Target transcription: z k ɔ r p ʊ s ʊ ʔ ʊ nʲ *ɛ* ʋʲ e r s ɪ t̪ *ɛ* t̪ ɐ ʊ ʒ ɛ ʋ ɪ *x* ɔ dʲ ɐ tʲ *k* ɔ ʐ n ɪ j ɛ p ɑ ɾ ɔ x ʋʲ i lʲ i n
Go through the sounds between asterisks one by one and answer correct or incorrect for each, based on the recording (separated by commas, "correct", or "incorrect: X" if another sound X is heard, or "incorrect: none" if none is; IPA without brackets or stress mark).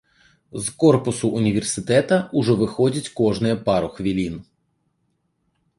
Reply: incorrect: i, correct, correct, correct